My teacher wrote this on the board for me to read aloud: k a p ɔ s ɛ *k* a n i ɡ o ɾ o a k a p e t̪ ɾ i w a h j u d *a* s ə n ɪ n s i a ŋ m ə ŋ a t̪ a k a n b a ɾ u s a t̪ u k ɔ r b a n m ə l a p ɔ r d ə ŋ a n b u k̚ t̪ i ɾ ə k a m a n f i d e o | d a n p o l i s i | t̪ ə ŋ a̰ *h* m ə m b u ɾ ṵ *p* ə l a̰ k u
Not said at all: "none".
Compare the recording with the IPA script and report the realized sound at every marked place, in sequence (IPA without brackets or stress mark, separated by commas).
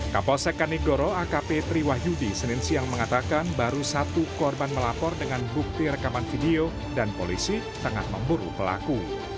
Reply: k, i, h, p